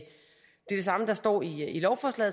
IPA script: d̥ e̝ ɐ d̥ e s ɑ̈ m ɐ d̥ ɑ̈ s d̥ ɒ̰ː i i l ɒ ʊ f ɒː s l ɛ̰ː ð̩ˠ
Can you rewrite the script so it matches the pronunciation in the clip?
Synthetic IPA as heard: d̥ e̝ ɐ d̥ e s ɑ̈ m ə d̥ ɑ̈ s d̥ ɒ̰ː i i l ɒ ʊ f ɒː s l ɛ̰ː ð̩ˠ